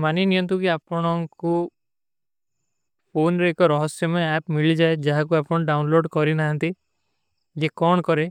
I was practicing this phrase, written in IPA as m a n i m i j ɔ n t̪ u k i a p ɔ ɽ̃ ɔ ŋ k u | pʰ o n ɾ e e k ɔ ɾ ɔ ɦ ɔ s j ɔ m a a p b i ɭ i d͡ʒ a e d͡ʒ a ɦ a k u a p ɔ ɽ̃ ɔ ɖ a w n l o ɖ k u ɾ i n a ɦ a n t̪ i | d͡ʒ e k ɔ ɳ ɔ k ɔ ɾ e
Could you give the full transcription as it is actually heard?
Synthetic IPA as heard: m a n i n i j ɔ n t̪ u k i a p ɔ ɽ̃ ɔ ŋ k u | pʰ o n ɾ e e k ɔ ɾ ɔ ɦ ɔ s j ɔ m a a p m i ɭ i d͡ʒ a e d͡ʒ a ɦ a k u a p ɔ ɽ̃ ɔ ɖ a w n l o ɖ k ɔ ɾ i n a ɦ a n t̪ i | d͡ʒ e k ɔ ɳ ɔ k ɔ ɾ e